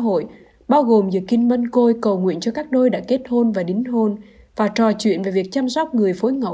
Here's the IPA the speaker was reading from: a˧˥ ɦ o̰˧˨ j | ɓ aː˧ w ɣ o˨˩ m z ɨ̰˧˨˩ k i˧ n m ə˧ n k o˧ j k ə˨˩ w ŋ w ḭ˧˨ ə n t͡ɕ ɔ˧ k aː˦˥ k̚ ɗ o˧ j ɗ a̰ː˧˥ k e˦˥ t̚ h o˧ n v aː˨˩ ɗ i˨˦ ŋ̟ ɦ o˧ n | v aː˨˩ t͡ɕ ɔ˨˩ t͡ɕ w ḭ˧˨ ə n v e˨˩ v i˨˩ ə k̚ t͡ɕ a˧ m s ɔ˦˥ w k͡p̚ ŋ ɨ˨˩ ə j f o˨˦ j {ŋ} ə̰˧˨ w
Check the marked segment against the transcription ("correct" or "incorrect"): correct